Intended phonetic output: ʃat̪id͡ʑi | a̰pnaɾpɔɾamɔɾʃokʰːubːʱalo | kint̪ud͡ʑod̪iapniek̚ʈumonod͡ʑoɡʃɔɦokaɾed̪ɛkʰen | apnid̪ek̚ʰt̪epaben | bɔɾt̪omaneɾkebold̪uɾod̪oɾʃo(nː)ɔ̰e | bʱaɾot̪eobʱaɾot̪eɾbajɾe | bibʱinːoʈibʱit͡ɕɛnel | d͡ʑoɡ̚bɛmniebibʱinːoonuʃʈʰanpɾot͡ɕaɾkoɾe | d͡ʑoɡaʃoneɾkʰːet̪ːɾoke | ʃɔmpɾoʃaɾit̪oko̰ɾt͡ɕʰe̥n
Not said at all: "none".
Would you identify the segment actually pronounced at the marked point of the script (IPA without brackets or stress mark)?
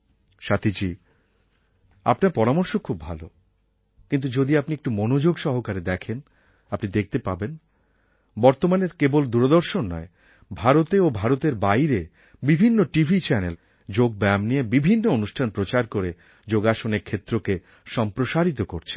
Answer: nː